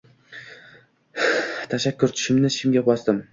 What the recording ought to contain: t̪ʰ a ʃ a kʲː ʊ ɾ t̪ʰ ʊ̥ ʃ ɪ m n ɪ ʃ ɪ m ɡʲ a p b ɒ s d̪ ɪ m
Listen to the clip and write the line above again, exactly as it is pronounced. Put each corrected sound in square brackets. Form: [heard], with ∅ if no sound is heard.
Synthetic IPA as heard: t̪ʰ a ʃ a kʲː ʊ ɾ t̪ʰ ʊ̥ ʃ ɪ m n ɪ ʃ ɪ m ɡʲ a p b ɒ s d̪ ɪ m